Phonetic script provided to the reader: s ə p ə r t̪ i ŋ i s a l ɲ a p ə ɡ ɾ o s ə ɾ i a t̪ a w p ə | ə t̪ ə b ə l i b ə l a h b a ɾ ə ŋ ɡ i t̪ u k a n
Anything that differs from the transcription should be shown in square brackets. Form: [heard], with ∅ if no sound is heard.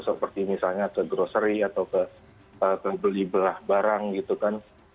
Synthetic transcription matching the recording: s ə p ə r t̪ i [m] i s a l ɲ a [k] ə ɡ ɾ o s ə ɾ i a t̪ a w [k] ə | ə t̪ ə b ə l i b ə l a h b a ɾ [a] ŋ ɡ i t̪ u k a n

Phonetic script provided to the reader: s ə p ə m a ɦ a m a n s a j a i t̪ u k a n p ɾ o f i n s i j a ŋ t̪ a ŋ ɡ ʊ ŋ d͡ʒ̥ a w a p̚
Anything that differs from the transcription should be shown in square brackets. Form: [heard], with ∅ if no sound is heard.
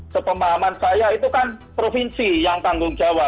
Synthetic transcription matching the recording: s ə p ə m a ɦ a m a n s a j a i t̪ u k a n p ɾ o f i n s i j a ŋ t̪ a ŋ ɡ ʊ ŋ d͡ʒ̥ a w a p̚

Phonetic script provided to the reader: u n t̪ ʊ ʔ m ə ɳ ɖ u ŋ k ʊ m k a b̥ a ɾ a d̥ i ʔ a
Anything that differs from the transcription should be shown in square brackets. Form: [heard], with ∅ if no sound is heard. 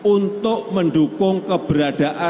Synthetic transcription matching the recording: u n t̪ ʊ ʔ m ə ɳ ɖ u [∅] k ʊ [ŋ] k [ə] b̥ [ə] ɾ a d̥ [a] ʔ a

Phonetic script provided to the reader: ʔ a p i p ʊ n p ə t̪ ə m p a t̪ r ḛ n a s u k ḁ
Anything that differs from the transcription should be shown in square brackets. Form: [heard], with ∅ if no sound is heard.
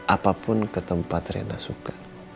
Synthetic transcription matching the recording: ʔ a p [a] p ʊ n [k] ə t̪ ə m p a t̪ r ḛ n a s u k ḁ

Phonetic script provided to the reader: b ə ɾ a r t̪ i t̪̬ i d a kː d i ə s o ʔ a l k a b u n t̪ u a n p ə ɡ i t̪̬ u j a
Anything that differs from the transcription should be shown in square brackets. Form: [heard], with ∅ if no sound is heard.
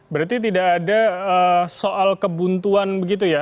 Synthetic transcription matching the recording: b ə ɾ a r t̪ i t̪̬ i d a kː d [a] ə s o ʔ a l k [ə] b u n t̪ u a n [b] ə ɡ i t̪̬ u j a

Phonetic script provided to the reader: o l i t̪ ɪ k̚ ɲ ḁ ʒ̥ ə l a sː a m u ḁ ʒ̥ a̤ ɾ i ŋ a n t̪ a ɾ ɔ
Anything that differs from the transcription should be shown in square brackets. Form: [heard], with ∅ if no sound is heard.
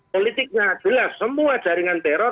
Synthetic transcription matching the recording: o l i t̪ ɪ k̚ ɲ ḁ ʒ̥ ə l a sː [ə] m u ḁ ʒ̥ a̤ ɾ i ŋ a n t̪ [ɛ] ɾ ɔ

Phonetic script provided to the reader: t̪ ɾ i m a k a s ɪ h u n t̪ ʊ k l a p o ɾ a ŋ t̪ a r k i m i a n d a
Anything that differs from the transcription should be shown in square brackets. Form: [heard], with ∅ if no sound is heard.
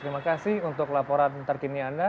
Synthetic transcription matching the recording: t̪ ɾ i m a k a s ɪ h u n t̪ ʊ k l a p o ɾ a [n] t̪ [ə] r k i [n] i a n d a

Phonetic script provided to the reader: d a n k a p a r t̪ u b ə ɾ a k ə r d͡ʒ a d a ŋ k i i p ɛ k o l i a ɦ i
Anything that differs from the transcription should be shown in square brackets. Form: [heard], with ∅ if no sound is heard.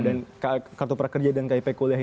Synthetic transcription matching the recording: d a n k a [k] a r t̪ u [p] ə ɾ a k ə r d͡ʒ a d a [n] k [a] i p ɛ k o l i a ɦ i

